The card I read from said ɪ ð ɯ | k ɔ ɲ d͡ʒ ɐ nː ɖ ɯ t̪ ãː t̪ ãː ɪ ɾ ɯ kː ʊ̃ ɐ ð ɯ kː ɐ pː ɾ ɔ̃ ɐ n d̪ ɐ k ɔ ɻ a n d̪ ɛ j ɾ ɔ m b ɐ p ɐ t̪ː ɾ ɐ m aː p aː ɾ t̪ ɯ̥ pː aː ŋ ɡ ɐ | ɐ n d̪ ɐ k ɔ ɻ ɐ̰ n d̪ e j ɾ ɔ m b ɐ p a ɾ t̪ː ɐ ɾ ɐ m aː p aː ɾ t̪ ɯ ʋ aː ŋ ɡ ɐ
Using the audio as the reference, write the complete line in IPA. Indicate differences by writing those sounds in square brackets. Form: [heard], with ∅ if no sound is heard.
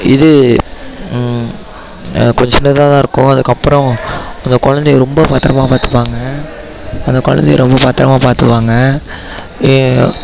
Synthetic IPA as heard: ɪ ð ɯ | k ɔ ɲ d͡ʒ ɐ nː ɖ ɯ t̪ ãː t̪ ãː ɪ ɾ ɯ kː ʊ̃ ɐ ð ɯ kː ɐ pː ɾ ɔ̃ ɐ n d̪ ɐ k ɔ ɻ [ɐ] n d̪ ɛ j ɾ ɔ m b ɐ p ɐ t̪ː ɾ ɐ m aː p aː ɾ t̪ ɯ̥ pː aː ŋ ɡ ɐ | ɐ n d̪ ɐ k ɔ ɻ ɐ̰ n d̪ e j ɾ ɔ m b ɐ p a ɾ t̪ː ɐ ɾ ɐ m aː p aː ɾ t̪ ɯ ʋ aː ŋ ɡ ɐ

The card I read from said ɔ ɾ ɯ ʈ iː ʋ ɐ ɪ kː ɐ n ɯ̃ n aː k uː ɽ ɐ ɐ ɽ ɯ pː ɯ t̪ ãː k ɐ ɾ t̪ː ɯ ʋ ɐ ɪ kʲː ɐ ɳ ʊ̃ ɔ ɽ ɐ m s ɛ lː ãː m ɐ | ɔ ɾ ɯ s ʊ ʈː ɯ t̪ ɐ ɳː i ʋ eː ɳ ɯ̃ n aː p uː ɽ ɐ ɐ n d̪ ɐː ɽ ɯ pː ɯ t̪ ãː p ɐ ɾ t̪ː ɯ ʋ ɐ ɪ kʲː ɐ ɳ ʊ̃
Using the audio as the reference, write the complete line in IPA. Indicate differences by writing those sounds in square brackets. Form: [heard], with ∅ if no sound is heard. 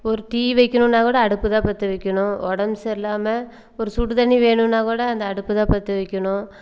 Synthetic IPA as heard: ɔ ɾ ɯ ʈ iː ʋ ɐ ɪ kː ɐ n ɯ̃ n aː k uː ɽ ɐ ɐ ɽ ɯ pː ɯ t̪ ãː [p] ɐ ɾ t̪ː ɯ ʋ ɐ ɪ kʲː ɐ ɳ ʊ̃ ɔ ɽ ɐ m s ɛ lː [aː] m ɐ | ɔ ɾ ɯ s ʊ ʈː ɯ t̪ ɐ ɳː i ʋ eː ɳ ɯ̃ n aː [k] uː ɽ ɐ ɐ n d̪ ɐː ɽ ɯ pː ɯ t̪ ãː p ɐ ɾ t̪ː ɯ ʋ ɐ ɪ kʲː ɐ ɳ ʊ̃

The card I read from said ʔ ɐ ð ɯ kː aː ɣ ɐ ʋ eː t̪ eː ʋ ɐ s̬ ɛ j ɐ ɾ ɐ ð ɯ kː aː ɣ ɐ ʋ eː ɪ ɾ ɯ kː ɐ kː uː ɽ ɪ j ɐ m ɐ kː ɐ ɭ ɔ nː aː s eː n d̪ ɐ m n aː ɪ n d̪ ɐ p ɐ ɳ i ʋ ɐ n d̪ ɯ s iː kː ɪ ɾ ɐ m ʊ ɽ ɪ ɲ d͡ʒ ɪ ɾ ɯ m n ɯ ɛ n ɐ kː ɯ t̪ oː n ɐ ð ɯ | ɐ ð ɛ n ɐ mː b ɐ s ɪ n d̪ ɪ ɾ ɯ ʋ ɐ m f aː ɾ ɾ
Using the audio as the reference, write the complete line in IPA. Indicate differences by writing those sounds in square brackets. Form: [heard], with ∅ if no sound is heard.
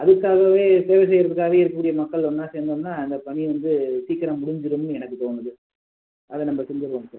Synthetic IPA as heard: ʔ ɐ ð ɯ kː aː ɣ ɐ ʋ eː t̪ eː ʋ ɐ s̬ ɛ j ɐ ɾ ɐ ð ɯ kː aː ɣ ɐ ʋ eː ɪ ɾ ɯ kː ɐ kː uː ɽ ɪ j ɐ m ɐ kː ɐ ɭ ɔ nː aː s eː n d̪ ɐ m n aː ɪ n d̪ ɐ p ɐ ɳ i ʋ ɐ n d̪ ɯ s iː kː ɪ ɾ ɐ m ʊ ɽ ɪ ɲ d͡ʒ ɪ ɾ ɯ m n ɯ ɛ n ɐ kː ɯ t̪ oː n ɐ ð ɯ | ɐ ð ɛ n ɐ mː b ɐ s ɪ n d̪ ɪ ɾ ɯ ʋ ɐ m [s] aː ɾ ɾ

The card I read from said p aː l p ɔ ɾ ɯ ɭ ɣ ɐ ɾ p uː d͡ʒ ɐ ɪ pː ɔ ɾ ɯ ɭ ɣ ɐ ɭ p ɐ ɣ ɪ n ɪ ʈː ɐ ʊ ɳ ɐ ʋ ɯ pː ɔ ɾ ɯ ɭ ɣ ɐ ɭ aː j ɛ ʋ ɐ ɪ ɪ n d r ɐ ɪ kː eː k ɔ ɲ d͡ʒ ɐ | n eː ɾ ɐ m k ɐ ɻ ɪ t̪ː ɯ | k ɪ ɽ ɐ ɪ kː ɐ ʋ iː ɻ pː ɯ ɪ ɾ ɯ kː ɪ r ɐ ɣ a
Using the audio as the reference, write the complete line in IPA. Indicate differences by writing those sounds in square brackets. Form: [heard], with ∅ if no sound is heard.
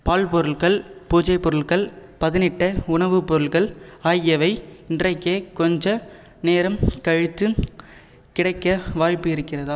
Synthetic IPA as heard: p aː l p ɔ ɾ ɯ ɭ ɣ ɐ [ɭ] p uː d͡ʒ ɐ ɪ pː ɔ ɾ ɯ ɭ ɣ ɐ ɭ p ɐ [ð] ɪ n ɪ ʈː ɐ ʊ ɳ ɐ ʋ ɯ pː ɔ ɾ ɯ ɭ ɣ ɐ ɭ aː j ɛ ʋ ɐ ɪ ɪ n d r ɐ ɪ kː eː k ɔ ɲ d͡ʒ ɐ | n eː ɾ ɐ m k ɐ ɻ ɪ t̪ː ɯ | k ɪ ɽ ɐ ɪ kː ɐ ʋ [aː] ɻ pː ɯ ɪ ɾ ɯ kː ɪ r ɐ [ð] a

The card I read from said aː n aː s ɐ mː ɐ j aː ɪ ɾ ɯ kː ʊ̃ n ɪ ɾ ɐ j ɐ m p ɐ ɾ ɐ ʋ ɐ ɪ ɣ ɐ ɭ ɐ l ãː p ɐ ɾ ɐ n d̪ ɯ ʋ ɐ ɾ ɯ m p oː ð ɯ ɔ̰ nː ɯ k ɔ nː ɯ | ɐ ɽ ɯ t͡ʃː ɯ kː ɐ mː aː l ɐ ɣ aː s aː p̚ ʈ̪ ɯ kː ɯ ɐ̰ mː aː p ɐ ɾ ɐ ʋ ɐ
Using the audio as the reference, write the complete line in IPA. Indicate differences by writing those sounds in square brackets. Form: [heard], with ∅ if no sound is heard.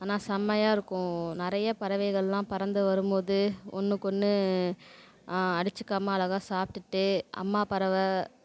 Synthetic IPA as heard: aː n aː s ɐ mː ɐ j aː ɪ ɾ ɯ kː ʊ̃ n ɪ ɾ ɐ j ɐ [∅] p ɐ ɾ ɐ ʋ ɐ ɪ ɣ ɐ ɭ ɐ l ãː p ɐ ɾ ɐ n d̪ ɯ ʋ ɐ ɾ ɯ m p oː ð ɯ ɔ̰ nː ɯ k ɔ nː ɯ | ɐ ɽ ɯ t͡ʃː ɯ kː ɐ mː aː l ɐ ɣ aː s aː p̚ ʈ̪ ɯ [ʈː] ɯ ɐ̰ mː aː p ɐ ɾ ɐ ʋ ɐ

